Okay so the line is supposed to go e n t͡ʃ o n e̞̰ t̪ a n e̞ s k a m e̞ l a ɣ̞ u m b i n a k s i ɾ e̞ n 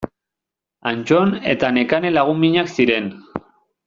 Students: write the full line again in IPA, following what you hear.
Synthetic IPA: a n t͡ʃ o n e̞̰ t̪ a n e̞ k a n e̞ l a ɣ̞ u m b i ɲ a k s i ɾ e̞ n